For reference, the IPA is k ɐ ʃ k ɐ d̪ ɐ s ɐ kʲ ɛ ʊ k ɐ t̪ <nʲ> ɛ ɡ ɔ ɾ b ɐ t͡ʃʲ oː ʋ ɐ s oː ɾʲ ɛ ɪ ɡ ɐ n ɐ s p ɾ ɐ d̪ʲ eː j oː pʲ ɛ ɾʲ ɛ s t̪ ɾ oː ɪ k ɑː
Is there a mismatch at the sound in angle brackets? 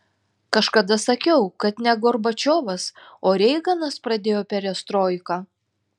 no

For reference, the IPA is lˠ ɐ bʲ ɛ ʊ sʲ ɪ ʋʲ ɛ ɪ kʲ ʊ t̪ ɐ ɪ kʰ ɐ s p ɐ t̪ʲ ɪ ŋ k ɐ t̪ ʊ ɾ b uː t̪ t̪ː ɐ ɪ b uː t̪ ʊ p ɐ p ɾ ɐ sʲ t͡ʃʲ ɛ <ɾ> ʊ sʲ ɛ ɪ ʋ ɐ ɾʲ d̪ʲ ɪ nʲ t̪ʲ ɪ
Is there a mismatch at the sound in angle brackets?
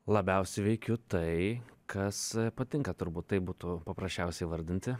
yes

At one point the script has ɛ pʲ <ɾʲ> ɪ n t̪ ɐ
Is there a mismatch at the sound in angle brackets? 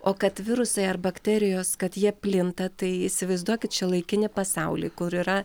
yes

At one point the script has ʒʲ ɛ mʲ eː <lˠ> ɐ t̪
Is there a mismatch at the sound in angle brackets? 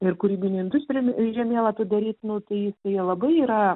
no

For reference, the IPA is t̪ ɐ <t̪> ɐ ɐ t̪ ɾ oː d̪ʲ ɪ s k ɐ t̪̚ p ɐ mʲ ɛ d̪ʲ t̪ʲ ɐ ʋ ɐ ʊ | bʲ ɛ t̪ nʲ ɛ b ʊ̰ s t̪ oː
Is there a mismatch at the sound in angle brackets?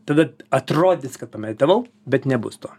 yes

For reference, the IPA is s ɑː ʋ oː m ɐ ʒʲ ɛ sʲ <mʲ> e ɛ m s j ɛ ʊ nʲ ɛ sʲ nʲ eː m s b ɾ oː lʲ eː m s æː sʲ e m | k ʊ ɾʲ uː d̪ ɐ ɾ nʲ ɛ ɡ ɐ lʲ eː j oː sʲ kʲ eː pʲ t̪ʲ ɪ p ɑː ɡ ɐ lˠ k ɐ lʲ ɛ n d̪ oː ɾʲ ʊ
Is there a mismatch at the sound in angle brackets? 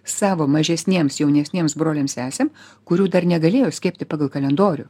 yes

